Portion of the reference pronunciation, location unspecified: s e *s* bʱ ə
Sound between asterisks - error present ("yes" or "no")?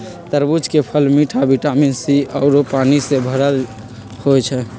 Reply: yes